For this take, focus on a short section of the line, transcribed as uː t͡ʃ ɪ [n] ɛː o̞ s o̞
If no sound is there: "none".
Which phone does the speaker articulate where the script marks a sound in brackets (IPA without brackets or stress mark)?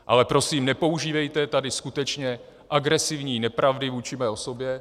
m